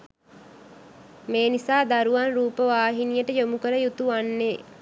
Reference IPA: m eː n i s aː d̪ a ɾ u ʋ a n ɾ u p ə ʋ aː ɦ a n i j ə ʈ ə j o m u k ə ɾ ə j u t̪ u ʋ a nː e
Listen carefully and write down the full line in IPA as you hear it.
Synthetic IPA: m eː n i s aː d̪ a ɾ u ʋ a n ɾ uː p ə ʋ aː ɦ i n i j ə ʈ ə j o m u k ə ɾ ə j u t̪ u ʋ a nː e